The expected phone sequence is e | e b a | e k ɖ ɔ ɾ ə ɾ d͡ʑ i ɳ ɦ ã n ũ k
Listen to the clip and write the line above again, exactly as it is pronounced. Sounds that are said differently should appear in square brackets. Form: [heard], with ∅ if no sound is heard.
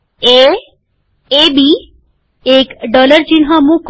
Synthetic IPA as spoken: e | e b [i] | e k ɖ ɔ [l] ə ɾ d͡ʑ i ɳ ɦ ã [m] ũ k